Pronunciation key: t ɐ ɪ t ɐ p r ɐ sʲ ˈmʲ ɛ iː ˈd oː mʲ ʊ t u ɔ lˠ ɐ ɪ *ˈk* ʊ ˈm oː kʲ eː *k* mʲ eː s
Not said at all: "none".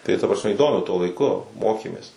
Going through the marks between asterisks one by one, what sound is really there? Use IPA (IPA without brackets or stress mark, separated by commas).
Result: k, none